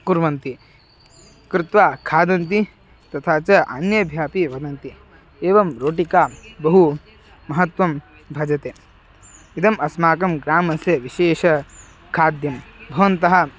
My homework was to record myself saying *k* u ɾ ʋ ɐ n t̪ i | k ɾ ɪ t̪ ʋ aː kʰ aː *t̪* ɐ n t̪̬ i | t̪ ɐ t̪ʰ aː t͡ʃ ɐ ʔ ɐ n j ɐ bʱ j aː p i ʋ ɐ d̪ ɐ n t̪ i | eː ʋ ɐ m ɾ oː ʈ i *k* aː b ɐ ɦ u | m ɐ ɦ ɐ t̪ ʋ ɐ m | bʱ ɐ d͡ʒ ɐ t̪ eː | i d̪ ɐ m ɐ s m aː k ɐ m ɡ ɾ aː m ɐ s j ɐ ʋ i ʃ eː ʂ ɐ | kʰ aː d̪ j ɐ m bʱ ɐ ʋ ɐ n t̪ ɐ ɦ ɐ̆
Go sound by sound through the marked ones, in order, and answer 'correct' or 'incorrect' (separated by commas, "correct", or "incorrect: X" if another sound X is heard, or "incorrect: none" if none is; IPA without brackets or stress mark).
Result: correct, incorrect: d̪, correct